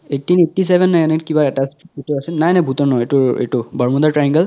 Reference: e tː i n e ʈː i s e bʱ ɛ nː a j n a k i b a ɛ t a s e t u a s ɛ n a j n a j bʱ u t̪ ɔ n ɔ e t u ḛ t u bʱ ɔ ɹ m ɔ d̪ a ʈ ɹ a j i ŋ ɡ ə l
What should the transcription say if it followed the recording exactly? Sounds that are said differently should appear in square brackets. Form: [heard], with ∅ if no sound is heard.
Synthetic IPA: e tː i n e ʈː i s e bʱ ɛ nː a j n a k i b a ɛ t a s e t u a s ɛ n a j n a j bʱ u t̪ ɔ n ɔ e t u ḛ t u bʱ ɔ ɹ m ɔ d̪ a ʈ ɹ a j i ŋ ɡ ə l